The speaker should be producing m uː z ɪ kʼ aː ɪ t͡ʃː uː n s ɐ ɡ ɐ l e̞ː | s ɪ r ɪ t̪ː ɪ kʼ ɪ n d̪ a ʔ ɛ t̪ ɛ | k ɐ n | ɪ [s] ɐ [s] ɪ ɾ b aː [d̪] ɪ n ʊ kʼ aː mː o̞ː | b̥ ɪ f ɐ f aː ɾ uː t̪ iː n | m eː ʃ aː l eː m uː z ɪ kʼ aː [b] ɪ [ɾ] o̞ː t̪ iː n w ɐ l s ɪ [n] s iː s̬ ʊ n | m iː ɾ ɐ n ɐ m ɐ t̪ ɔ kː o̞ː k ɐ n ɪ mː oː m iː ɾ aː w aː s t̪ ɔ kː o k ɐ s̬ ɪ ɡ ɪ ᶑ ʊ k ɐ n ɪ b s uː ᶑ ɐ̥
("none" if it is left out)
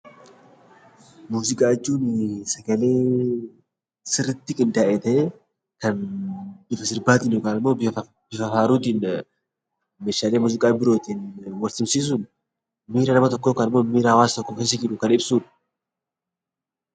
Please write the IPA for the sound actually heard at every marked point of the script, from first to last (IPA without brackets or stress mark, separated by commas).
f, s, t̪, b, ɾ, m